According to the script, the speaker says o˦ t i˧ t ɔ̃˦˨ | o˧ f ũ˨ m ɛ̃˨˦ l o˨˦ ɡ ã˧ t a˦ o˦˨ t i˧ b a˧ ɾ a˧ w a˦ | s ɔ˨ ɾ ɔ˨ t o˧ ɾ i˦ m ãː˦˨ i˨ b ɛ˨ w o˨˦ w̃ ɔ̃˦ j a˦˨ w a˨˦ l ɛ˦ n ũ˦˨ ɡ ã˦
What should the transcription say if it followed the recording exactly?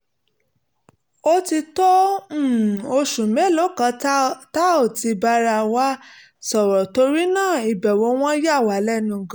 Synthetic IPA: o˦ t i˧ t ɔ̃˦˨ | o˧ ʃ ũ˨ m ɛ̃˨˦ l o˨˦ k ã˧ t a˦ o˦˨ t i˧ b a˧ ɾ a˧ w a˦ | s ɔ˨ ɾ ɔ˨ t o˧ ɾ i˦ n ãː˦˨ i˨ b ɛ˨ w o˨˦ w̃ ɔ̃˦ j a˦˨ w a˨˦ l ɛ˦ n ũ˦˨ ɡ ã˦

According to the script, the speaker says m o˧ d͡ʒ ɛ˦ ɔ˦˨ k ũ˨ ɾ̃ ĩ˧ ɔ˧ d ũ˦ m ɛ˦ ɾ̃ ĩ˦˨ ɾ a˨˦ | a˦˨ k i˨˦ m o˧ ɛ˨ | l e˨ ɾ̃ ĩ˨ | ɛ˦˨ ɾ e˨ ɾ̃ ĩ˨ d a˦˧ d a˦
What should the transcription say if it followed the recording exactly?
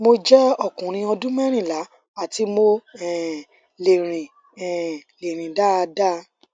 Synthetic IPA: m o˧ d͡ʒ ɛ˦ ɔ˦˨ k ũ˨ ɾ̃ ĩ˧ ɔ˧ d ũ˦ m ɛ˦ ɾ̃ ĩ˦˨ l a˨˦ | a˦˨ t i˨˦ m o˧ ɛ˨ | l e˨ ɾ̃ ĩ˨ | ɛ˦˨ l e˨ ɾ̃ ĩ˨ d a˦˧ d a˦

